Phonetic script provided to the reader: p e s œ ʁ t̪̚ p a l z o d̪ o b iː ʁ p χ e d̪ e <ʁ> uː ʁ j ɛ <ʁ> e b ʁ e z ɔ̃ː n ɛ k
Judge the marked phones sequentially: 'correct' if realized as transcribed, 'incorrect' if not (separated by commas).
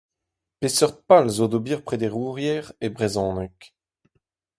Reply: correct, correct